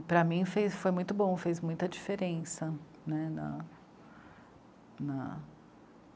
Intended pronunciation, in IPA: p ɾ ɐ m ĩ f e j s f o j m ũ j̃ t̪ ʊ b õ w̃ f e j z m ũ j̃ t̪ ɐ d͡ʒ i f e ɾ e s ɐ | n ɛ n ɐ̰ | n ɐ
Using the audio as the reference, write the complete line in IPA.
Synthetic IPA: p ɾ ɐ m ĩ f e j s f o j m ũ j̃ t̪ ʊ b õ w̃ f e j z m ũ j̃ t̪ ɐ d͡ʒ i f e ɾ ẽ s ɐ | n ɛ n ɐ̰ | n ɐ